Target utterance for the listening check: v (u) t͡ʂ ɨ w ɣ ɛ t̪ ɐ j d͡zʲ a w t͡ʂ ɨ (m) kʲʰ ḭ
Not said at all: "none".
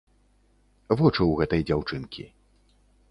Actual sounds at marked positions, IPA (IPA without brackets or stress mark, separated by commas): ɔ, n